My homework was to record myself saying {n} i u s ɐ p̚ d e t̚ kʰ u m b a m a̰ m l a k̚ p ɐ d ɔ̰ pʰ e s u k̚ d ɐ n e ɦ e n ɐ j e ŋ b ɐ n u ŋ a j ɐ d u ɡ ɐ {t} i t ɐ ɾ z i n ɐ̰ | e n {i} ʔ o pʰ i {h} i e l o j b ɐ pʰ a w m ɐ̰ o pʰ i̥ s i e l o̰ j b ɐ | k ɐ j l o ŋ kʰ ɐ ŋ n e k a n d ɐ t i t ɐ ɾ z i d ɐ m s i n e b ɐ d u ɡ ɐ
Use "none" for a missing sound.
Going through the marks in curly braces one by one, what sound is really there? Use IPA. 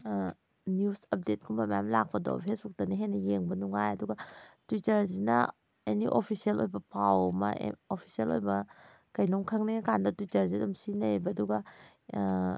n, t, i, s

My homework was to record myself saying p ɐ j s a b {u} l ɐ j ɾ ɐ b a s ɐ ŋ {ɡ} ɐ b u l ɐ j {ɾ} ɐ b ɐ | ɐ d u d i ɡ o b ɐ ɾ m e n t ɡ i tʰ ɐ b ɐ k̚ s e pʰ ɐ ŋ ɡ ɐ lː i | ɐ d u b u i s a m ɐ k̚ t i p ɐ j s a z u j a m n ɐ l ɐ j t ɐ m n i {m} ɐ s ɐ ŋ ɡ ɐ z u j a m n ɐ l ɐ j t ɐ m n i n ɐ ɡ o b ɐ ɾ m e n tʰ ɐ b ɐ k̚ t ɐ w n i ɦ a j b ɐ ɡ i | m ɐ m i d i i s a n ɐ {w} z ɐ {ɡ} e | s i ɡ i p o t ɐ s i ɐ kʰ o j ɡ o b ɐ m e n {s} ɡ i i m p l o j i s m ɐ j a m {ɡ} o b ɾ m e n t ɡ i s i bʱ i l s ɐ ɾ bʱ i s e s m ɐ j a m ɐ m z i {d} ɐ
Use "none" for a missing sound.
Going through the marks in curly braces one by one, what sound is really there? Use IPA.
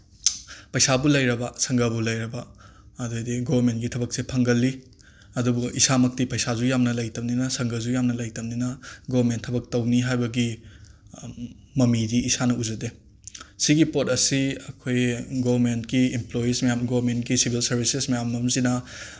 u, ɡ, ɾ, n, u, d, t, ɡ, n

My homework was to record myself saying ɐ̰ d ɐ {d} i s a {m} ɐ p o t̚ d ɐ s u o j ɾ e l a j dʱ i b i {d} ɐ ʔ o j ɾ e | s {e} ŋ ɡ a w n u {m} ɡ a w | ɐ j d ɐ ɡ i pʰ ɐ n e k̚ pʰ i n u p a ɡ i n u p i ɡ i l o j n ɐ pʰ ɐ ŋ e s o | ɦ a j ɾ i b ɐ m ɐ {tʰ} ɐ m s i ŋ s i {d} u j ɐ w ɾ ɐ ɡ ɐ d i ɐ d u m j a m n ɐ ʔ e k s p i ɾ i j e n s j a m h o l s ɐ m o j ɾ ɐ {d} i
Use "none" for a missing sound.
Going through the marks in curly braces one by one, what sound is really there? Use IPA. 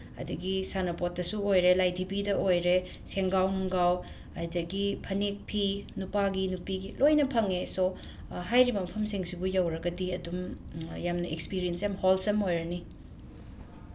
ɡ, n, d, e, ŋ, pʰ, b, n

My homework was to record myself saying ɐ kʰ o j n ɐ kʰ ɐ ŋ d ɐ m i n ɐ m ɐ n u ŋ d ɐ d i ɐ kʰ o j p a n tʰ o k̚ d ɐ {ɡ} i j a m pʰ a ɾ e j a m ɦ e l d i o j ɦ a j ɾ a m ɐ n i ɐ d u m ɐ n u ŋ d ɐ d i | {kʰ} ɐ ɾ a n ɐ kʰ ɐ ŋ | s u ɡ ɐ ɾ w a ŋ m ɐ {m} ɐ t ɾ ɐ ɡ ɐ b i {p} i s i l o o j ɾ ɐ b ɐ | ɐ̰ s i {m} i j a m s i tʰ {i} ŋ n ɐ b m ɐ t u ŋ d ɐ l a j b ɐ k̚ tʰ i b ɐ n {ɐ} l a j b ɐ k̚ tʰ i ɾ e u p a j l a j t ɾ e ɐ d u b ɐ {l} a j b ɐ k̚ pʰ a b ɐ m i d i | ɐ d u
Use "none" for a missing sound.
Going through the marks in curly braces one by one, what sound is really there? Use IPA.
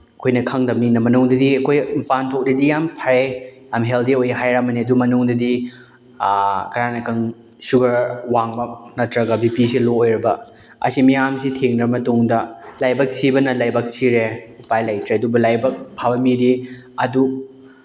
d, k, n, p, m, e, ɐ, l

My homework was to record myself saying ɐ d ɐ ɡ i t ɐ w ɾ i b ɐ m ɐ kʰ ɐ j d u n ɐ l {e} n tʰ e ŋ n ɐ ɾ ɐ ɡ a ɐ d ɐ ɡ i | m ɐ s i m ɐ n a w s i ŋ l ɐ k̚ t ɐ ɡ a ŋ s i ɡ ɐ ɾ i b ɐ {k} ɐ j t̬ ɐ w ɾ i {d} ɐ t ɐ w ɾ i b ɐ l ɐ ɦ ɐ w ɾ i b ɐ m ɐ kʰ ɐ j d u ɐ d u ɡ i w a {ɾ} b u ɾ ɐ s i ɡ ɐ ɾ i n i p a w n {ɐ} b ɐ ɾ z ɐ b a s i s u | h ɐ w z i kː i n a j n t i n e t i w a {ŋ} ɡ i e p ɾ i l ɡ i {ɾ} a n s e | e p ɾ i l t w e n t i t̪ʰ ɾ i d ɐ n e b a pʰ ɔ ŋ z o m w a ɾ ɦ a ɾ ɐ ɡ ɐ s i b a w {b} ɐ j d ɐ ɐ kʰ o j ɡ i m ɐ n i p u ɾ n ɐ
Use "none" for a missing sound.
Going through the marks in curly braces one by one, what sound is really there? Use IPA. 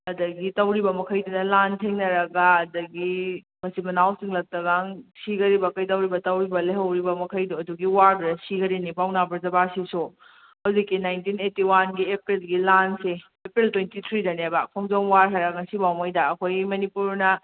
a, k, b, ɾ, a, n, l, m

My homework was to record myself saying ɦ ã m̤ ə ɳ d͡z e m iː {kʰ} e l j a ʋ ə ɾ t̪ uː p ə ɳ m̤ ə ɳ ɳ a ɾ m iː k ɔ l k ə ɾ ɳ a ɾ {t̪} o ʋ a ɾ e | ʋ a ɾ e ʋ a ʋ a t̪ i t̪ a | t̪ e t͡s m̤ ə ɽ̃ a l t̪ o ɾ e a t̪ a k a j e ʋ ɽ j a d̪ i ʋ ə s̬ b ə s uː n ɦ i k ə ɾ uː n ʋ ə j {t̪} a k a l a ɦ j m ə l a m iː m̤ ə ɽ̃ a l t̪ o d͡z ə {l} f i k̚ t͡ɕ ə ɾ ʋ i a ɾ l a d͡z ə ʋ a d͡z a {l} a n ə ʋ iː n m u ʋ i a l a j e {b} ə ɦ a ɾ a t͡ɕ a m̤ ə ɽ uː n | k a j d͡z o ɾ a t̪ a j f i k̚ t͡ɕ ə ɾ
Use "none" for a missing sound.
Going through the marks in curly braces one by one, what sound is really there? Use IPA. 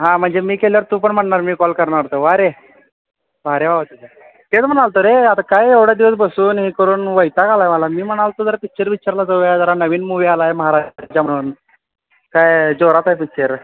k, t̪, t̪, ɾ, ɾ, m

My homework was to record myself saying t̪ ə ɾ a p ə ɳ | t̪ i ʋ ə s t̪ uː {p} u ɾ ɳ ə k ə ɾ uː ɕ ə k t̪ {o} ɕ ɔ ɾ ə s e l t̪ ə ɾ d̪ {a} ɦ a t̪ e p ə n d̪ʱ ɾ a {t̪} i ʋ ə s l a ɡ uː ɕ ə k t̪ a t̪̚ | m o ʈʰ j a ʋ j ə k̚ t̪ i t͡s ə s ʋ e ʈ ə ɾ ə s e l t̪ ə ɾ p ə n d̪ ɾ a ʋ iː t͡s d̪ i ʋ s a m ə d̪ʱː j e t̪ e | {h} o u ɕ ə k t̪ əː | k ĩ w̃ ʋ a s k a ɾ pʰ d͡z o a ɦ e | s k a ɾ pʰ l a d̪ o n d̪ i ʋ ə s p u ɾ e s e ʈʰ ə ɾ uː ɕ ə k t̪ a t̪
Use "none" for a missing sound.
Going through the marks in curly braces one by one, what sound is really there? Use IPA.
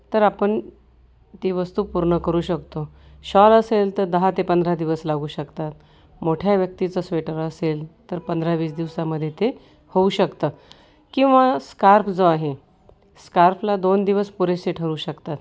p, o, ə, d̪, h

